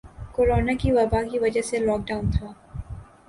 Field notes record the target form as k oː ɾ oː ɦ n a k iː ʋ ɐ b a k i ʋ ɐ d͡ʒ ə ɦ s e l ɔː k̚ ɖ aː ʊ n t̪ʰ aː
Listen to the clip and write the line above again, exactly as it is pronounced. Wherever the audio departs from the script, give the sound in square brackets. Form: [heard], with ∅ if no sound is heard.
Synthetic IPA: k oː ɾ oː [∅] n a k [i] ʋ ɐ b a k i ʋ ɐ d͡ʒ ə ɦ s e l ɔː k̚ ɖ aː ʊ n t̪ʰ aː